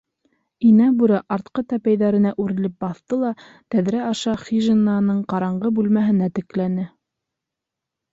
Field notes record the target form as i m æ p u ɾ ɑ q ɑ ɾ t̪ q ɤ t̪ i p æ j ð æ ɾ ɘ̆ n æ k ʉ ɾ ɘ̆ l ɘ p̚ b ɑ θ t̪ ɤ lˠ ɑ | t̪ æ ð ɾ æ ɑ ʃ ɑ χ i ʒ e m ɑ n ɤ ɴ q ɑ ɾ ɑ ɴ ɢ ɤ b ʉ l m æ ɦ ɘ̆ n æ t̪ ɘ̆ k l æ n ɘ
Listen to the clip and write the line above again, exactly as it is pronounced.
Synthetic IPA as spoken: i n æ b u ɾ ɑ ʔ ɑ ɾ t̪ q ɤ t̪ æ p æ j ð æ ɾ ɘ̆ n æ ʔ ʉ ɾ ɘ̆ l ɘ p̚ b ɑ θ t̪ ɤ lˠ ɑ | t̪ æ ð ɾ æ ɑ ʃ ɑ χ i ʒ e n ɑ n ɤ ɴ q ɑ ɾ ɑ ɴ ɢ ɤ b ʉ l m æ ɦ ɘ̆ n æ t̪ ɘ̆ k l æ n ɘ